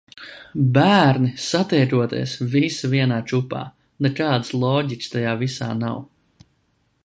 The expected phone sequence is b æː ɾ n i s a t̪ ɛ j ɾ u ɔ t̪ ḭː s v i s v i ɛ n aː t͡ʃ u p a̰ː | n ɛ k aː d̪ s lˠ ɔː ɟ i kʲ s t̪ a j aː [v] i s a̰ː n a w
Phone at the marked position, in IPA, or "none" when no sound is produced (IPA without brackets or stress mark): v